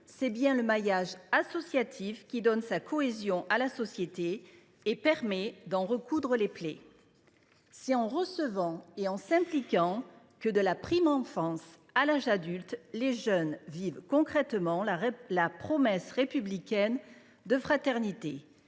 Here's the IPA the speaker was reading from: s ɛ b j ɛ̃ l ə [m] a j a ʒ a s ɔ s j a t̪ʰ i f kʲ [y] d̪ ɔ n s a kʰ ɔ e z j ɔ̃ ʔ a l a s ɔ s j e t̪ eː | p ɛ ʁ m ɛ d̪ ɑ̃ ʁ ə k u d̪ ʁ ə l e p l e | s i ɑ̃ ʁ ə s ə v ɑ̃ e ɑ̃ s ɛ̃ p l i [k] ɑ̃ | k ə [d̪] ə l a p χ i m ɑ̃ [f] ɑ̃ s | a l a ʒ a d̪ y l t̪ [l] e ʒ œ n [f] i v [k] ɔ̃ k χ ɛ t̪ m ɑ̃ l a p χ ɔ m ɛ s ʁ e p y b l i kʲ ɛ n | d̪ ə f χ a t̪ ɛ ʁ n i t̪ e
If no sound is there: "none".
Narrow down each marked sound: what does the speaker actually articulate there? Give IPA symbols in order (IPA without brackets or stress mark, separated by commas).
m, i, k, d̪, f, l, v, k